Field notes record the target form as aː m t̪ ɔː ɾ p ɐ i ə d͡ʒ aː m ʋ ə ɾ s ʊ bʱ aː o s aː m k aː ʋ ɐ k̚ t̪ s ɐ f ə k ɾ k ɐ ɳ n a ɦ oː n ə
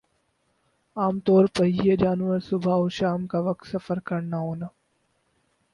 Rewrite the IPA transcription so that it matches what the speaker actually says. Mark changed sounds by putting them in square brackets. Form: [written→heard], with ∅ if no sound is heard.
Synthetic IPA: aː m t̪ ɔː ɾ p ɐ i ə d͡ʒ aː [m→n] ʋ ə ɾ s ʊ bʱ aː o [s→ʃ] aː m k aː ʋ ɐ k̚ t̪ s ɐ f ə [k→∅] ɾ k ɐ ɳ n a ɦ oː n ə